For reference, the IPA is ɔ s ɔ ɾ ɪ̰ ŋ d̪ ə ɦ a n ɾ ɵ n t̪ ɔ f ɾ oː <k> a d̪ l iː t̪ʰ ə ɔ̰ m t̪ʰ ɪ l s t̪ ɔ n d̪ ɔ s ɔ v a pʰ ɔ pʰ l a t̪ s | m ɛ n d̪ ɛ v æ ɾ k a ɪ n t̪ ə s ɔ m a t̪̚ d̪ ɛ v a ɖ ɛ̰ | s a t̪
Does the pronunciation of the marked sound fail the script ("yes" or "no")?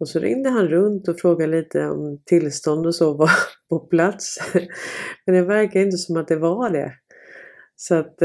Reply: yes